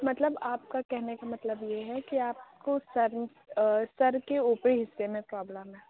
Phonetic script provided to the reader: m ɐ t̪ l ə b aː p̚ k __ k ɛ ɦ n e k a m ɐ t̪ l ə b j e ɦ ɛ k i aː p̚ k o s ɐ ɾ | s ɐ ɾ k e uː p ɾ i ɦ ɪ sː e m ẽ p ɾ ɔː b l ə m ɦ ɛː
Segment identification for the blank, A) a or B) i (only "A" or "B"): A